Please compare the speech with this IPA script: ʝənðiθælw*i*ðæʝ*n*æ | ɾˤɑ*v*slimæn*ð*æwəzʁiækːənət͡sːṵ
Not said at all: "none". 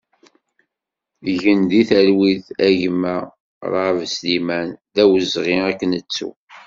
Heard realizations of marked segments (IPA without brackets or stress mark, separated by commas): i, m, v, ð